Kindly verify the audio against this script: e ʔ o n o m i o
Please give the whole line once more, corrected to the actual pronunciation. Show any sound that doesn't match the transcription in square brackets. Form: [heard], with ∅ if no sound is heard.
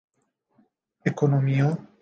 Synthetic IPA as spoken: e [k] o n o m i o